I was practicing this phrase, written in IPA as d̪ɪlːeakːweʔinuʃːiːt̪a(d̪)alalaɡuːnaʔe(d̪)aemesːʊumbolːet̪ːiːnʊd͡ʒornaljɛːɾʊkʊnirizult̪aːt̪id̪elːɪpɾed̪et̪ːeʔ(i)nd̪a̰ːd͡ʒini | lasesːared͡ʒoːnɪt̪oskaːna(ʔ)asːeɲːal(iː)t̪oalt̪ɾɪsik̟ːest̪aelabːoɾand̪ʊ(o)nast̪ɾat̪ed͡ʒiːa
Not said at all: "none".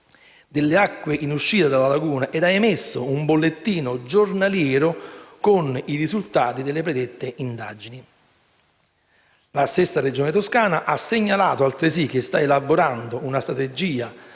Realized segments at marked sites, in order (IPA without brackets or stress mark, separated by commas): d̪, d̪, i, ʔ, aː, u